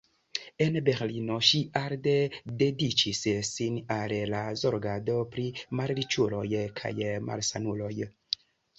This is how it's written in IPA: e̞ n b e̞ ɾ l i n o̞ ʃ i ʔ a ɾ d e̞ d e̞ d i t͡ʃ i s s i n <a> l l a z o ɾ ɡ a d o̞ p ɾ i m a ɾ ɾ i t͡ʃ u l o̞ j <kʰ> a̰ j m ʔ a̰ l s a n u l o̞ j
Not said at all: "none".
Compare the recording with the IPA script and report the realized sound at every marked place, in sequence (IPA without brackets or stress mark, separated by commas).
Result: a, kʰ